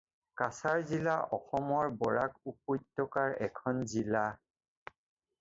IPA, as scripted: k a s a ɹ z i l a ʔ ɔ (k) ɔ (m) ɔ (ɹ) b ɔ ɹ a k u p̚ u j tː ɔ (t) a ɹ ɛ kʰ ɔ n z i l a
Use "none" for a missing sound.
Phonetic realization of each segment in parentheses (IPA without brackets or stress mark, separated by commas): x, m, ɹ, k